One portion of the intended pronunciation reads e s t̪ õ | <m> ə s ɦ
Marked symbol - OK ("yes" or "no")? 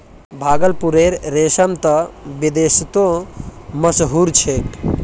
yes